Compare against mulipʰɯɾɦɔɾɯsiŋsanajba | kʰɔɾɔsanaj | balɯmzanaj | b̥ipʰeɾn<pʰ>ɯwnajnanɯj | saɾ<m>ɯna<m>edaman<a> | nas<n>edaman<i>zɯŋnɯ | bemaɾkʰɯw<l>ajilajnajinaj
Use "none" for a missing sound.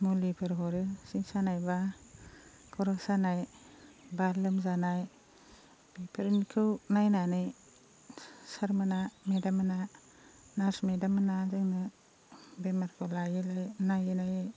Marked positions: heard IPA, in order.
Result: kʰ, m, m, a, m, a, l

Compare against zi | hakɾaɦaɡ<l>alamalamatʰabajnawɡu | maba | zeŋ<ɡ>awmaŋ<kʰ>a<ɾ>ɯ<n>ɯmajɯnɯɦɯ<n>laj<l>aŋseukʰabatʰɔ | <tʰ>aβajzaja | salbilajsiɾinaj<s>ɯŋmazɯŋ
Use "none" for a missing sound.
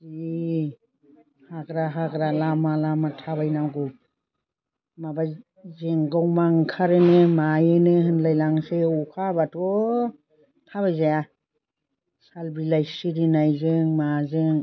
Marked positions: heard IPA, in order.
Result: ɾ, ɡ, kʰ, ɾ, n, n, l, tʰ, z

